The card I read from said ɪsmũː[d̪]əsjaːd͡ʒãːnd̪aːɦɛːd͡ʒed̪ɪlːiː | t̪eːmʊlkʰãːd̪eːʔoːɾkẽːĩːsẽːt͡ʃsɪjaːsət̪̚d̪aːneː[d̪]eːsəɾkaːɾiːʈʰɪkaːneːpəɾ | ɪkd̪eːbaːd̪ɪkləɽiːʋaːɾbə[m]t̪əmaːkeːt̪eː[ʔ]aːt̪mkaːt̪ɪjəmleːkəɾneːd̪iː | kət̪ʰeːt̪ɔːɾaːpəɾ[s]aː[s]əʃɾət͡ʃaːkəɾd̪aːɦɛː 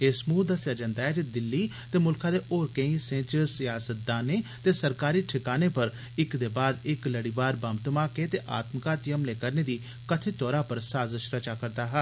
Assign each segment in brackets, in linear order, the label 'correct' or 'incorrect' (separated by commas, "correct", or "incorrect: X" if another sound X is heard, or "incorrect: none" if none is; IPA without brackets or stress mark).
correct, incorrect: t̪, correct, correct, correct, incorrect: z